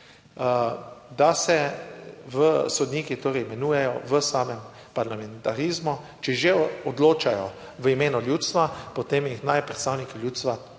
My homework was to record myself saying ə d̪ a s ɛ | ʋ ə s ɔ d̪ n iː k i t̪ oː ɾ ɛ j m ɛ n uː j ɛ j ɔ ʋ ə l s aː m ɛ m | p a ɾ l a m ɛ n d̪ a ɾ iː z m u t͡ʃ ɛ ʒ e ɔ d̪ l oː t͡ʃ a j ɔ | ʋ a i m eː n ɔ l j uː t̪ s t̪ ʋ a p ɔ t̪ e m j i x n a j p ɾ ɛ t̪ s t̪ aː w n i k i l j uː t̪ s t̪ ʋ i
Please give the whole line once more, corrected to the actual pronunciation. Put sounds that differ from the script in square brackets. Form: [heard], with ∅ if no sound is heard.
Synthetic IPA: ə d̪ a s ɛ | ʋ ə s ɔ d̪ n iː k i t̪ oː ɾ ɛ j m ɛ n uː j ɛ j ɔ ʋ ə [∅] s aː m ɛ m | p a ɾ l a m ɛ n [t̪] a ɾ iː z m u t͡ʃ ɛ ʒ e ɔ d̪ l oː t͡ʃ a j ɔ | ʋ [ə] i m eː n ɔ l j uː t̪ s t̪ ʋ a p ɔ t̪ e m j i x n a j p ɾ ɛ t̪ s t̪ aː w n i k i l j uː t̪ s t̪ ʋ [a]

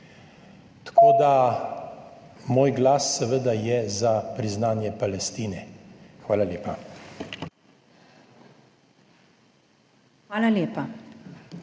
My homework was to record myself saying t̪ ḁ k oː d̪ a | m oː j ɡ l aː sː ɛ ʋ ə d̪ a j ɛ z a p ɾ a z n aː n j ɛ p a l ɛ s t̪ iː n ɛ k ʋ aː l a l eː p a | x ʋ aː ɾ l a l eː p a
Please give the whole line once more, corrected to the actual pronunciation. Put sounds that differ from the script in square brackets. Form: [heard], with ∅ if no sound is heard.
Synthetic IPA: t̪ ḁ k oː d̪ a | m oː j ɡ l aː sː ɛ ʋ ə d̪ a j ɛ z a p ɾ [i] z n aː n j ɛ p a l ɛ s t̪ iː n ɛ [x] ʋ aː l a l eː p a | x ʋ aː [∅] l a l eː p a

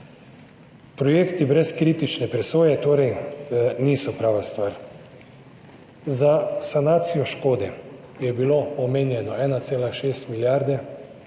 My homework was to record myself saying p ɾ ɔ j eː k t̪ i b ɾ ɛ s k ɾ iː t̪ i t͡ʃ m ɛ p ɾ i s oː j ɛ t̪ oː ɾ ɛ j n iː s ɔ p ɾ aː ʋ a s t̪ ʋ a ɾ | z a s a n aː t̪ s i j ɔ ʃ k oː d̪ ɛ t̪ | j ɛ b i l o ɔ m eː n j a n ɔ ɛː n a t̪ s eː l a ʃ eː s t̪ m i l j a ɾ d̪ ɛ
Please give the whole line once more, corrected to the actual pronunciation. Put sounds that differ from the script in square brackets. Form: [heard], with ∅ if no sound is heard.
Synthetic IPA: p ɾ ɔ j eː k t̪ i b ɾ ɛ s k ɾ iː t̪ i t͡ʃ [n] ɛ p ɾ [ɛ] s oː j ɛ t̪ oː ɾ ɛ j n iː s ɔ p ɾ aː ʋ a s t̪ ʋ a ɾ | z a s a n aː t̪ s i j ɔ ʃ k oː d̪ ɛ [∅] | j ɛ b i l o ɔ m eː n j [ɛ] n ɔ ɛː n a t̪ s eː l a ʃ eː s t̪ m i l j a ɾ d̪ ɛ

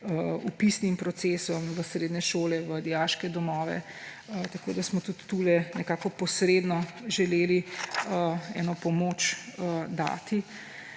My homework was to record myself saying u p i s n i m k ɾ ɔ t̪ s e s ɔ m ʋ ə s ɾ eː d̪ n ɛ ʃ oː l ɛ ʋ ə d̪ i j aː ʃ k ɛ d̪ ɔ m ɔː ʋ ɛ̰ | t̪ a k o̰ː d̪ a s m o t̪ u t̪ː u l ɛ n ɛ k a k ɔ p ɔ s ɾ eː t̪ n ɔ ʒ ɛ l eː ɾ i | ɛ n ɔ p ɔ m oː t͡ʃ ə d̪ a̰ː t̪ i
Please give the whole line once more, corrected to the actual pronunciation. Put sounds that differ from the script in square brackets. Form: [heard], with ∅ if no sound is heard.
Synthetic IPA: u p i s n i m [p] ɾ ɔ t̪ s e s ɔ m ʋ ə s ɾ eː d̪ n ɛ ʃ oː l ɛ ʋ ə d̪ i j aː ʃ k ɛ d̪ ɔ m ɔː ʋ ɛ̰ | t̪ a k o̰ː d̪ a s m [ɔ] t̪ u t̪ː u l ɛ n ɛ k a k ɔ p ɔ s ɾ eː [d̪] n ɔ ʒ ɛ l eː [l] i | ɛ n ɔ p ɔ m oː t͡ʃ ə d̪ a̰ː t̪ i

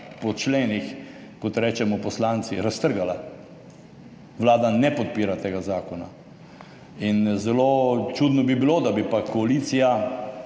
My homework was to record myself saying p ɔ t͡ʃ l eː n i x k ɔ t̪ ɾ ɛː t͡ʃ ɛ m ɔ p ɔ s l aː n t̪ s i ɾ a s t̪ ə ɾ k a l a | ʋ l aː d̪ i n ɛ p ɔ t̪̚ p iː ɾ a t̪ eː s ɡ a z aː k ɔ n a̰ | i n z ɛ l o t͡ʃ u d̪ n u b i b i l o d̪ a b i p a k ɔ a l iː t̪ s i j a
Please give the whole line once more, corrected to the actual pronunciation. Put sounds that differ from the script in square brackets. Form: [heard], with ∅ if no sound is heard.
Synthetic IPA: p ɔ t͡ʃ l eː n i x k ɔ t̪ ɾ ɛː t͡ʃ ɛ m ɔ p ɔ s l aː n t̪ s i ɾ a s t̪ ə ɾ [ɡ] a l a | ʋ l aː d̪ [a] n ɛ p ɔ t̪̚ p iː ɾ a t̪ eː [∅] ɡ a z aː k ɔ n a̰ | i n z ɛ l o t͡ʃ u d̪ n [ɔ] b i b i l o d̪ a b i p a k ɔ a l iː t̪ s i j a

